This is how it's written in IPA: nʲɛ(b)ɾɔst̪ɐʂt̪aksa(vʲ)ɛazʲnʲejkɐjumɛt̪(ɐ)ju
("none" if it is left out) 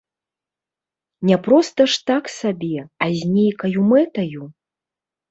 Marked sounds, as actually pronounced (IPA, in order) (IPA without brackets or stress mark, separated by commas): p, bʲ, ɐ